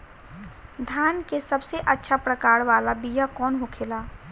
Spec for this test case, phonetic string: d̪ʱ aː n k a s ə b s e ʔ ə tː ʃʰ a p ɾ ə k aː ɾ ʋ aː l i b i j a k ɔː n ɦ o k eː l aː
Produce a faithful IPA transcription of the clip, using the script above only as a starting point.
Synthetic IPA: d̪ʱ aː n k e s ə b s e ʔ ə tː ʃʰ a p ɾ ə k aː ɾ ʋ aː l a b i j a k ɔː n ɦ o kʰ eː l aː

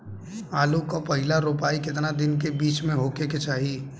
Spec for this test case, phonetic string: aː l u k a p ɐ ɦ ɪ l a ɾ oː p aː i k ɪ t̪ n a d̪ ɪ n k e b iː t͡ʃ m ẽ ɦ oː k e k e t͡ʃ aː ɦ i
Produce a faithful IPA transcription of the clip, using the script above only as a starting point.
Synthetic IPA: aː l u k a p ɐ ɦ ɪ l a ɾ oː p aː i k ɪ t̪ n a d̪ ɪ n k e b iː t͡ʃ m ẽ ɦ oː k e k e t͡ʃ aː ɦ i

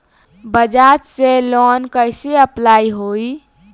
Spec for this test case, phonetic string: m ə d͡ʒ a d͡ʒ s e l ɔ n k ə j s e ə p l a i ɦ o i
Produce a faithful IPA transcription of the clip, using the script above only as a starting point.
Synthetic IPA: b ə d͡ʒ a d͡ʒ s e l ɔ n k ə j s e ə p l a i ɦ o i

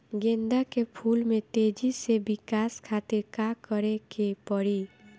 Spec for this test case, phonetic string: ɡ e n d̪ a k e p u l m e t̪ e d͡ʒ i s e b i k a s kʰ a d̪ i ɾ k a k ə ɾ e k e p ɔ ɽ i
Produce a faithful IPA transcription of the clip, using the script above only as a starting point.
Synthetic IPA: ɡ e n d̪ a k e pʰ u l m e t̪ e d͡ʒ i s e b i k a s kʰ a t̪ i ɾ k a k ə ɾ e k e p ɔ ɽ i

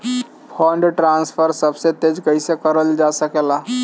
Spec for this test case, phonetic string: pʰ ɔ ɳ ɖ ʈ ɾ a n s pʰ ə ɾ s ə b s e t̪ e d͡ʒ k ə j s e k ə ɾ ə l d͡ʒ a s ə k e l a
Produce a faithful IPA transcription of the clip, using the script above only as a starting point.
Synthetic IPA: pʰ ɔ ɳ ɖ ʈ ɾ a n s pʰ ə ɾ s ə b s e t̪ e d͡ʒ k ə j s e k ə ɾ ə l d͡ʒ a s ə k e l a

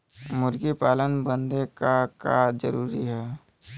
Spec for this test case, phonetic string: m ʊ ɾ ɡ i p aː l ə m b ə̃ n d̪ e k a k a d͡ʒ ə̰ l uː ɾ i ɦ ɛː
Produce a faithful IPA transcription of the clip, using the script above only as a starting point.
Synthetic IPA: m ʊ ɾ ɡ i p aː l ə n b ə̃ n d̪ e k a k a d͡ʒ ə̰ ɾ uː ɾ i ɦ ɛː

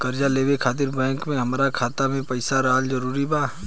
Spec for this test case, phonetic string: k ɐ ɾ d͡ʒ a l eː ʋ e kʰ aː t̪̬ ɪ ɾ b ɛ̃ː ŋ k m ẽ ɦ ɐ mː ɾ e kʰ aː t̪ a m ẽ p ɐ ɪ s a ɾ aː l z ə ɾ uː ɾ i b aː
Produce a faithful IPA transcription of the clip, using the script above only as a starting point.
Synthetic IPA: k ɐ ɾ d͡ʒ a l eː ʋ e kʰ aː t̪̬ ɪ ɾ b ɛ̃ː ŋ k m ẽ ɦ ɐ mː ɾ a kʰ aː t̪ a m ẽ p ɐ ɪ s a ɾ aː l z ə ɾ uː ɾ i b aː

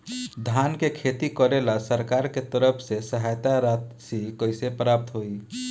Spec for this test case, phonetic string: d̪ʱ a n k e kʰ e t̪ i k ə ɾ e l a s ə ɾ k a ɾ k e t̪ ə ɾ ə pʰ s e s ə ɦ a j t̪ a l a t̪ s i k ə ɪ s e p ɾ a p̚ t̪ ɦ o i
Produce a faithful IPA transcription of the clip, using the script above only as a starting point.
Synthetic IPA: d̪ʱ a n k e kʰ e t̪ i k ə ɾ e l a s ə ɾ k a ɾ k e t̪ ə ɾ ə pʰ s e s ə ɦ a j t̪ a ɾ a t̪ s i k ə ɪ s e p ɾ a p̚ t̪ ɦ o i

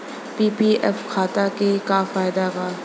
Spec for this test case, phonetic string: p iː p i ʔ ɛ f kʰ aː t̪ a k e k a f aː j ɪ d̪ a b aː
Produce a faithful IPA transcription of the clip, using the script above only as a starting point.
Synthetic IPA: p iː p i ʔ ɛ f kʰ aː t̪ a k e k a f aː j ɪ d̪ a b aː

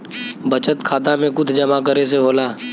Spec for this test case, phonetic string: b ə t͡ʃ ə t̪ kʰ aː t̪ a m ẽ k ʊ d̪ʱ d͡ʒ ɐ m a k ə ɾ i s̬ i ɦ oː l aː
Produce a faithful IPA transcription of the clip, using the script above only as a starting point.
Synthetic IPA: b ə t͡ʃ ə t̪ kʰ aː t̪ a m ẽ k ʊ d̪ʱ d͡ʒ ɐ m a k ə ɾ e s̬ e ɦ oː l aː

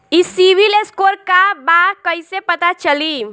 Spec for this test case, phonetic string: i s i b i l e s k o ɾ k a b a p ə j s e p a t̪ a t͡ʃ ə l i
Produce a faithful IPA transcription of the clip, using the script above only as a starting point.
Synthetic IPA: i s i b i l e s k o ɾ k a b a k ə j s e p ə t̪ a t͡ʃ ə l i

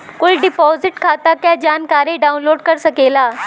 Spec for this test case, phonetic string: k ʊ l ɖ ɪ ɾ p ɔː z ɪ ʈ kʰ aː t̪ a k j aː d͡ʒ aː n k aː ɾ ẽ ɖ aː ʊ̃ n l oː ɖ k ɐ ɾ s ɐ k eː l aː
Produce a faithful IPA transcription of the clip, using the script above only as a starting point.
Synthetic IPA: k ʊ l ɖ ɪ p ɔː z ɪ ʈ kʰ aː t̪ a k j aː d͡ʒ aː n k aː ɾ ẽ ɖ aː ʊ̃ n l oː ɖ k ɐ ɾ s ɐ k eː l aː

